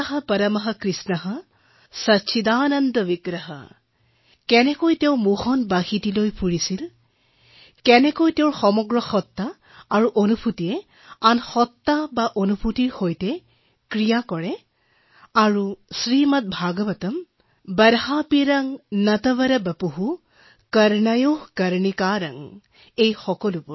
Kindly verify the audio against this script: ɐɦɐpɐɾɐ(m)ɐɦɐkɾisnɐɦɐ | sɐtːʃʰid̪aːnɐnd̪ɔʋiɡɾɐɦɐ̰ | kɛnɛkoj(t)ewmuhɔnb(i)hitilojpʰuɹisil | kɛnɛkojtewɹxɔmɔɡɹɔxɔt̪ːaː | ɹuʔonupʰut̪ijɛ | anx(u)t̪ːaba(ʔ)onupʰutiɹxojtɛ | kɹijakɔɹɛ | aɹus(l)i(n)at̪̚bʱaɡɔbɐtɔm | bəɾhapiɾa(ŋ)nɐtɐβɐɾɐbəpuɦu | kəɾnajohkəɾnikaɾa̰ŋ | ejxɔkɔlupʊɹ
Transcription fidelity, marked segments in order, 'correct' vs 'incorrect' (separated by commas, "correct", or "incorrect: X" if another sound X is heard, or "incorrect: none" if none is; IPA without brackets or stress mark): correct, correct, incorrect: a, incorrect: ɔ, correct, incorrect: ɹ, incorrect: m, correct